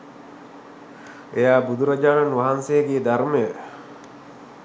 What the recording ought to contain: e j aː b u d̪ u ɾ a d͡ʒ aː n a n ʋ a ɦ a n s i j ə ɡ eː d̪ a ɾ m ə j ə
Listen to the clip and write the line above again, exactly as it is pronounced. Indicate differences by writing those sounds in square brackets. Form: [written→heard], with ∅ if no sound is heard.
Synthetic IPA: e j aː b u d̪ u ɾ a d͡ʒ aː n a n ʋ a ɦ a n s [i→e] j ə ɡ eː d̪ a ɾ m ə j ə